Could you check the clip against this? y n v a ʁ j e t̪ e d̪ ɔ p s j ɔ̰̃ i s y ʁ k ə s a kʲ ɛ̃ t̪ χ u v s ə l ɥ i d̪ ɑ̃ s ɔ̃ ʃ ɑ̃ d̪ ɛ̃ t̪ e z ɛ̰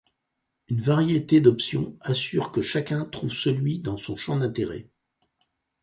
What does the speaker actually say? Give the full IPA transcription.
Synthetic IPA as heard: y n v a ʁ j e t̪ e d̪ ɔ p s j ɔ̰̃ a s y ʁ k ə ʃ a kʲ ɛ̃ t̪ χ u v s ə l ɥ i d̪ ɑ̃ s ɔ̃ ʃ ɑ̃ d̪ ɛ̃ t̪ e ʁ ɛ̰